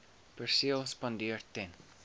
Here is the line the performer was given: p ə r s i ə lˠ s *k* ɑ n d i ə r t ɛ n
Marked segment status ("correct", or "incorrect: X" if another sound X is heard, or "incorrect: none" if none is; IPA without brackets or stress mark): incorrect: p